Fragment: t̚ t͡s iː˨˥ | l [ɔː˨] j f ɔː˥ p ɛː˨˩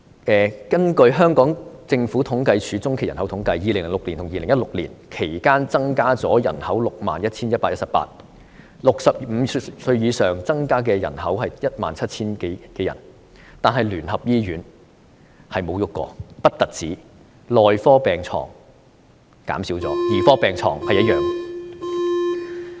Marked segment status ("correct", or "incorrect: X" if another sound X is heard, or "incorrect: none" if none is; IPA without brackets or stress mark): correct